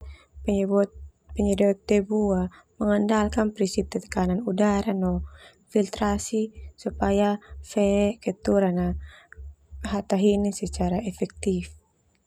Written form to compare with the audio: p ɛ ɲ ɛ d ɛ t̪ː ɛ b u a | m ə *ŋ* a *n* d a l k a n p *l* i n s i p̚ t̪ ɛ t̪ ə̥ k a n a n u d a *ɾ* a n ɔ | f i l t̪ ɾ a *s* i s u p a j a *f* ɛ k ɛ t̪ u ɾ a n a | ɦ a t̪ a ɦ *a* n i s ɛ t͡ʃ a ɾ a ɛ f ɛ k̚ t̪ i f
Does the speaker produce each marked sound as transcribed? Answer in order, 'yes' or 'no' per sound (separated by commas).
yes, yes, no, yes, yes, yes, no